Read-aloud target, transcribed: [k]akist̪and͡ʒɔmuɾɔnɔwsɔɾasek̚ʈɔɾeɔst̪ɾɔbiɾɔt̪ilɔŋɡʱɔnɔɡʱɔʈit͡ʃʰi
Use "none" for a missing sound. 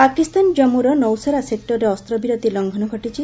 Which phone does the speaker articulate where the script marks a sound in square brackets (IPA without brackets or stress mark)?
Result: p